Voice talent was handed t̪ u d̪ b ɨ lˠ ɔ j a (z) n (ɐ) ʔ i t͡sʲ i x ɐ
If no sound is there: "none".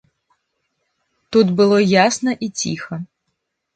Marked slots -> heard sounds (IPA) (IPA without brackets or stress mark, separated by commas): s, ɐ